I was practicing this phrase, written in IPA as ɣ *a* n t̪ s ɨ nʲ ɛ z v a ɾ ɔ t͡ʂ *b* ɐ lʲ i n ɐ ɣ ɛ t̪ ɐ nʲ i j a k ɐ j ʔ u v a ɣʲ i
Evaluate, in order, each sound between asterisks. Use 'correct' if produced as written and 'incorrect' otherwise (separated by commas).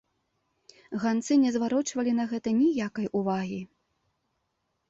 correct, incorrect